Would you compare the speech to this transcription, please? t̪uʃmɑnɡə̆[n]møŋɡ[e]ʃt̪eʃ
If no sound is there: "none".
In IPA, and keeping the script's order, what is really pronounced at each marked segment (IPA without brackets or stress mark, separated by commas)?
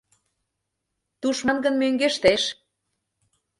n, e